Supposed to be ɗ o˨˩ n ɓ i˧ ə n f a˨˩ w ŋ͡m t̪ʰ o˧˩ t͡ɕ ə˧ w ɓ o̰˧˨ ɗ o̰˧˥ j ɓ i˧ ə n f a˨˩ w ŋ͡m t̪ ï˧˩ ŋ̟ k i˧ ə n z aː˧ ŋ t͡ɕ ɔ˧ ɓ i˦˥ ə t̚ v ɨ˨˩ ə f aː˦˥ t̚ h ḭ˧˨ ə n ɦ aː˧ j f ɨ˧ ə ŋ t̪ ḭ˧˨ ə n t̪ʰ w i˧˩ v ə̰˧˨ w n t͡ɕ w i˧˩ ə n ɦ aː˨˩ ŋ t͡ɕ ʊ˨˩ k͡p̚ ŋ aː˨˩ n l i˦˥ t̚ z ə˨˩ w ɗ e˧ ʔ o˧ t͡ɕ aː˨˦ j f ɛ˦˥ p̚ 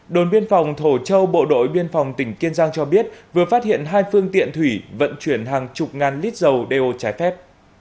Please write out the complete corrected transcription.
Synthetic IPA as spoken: ɗ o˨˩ n ɓ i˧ ə n f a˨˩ w ŋ͡m t̪ʰ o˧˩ t͡ɕ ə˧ w ɓ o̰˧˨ ɗ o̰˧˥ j ɓ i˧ ə n f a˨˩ w ŋ͡m t̪ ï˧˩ ŋ̟ k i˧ ə n z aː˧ ŋ t͡ɕ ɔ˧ ɓ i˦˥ ə t̚ v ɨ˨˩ ə f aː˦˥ t̚ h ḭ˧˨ ə n ɦ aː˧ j f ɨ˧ ə ŋ t̪ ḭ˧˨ ə n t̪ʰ w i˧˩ v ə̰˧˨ n t͡ɕ w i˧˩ ə n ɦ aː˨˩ ŋ t͡ɕ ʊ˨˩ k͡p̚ ŋ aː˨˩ n l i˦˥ t̚ z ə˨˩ w ɗ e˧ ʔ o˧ t͡ɕ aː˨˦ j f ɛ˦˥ p̚